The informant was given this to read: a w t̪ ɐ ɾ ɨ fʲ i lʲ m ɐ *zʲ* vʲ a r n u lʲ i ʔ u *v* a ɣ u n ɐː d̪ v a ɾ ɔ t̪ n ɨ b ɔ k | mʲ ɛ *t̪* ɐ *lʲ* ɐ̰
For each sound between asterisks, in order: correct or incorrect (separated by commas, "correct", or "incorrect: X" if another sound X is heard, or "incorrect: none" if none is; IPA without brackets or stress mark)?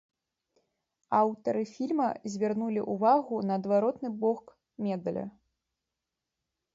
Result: correct, correct, incorrect: d̪, correct